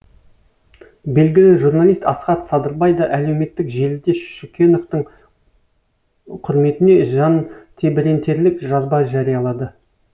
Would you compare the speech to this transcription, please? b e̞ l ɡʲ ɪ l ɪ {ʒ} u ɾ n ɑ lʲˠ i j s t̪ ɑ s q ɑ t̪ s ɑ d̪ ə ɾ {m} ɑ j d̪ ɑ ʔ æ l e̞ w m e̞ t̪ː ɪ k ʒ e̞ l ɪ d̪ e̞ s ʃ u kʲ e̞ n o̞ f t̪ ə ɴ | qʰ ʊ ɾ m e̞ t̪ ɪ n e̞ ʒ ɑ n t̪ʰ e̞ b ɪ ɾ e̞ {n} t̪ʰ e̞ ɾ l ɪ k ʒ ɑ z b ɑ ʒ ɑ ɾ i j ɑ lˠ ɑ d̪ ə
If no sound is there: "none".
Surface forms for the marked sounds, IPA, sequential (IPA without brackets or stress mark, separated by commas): ʒ, b, n